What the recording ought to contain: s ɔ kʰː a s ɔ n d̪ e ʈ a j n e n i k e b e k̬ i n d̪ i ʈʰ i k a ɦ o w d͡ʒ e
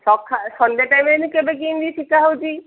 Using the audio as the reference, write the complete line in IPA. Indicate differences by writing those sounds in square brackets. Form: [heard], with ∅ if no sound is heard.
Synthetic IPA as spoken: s ɔ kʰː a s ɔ n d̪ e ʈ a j [m] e n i k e b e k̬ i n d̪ i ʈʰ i k a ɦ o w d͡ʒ [i]